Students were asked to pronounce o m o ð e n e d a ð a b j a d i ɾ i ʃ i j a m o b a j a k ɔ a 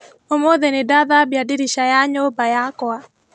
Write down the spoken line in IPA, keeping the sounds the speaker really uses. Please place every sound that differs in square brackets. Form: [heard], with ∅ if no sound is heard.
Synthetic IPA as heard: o m o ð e n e d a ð a b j a d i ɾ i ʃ [a] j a [ɲ] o b a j a k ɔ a